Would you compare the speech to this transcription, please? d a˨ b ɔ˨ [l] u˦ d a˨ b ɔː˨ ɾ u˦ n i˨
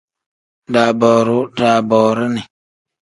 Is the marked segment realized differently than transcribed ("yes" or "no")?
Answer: yes